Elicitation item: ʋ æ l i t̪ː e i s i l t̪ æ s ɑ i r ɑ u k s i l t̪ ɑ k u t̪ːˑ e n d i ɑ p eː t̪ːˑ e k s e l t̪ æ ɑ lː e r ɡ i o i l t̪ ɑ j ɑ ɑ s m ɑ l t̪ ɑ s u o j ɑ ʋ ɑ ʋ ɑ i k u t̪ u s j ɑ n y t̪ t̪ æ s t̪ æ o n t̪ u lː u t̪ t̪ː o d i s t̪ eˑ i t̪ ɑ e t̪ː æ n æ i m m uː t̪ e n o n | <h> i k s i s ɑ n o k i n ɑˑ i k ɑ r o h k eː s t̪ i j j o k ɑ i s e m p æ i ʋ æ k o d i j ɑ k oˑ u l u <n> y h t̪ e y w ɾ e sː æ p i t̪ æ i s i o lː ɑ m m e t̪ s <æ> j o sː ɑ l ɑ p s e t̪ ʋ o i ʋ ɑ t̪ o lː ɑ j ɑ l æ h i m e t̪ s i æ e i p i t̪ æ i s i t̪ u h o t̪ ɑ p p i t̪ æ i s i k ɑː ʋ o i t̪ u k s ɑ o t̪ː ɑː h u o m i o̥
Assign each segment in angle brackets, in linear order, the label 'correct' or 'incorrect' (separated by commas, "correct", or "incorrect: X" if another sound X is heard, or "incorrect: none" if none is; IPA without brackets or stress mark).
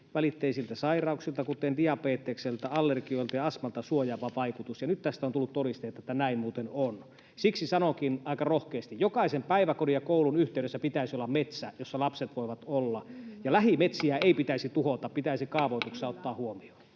incorrect: s, correct, correct